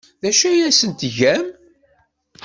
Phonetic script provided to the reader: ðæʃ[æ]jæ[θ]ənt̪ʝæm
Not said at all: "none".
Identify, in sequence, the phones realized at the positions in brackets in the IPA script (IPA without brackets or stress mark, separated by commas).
æ, s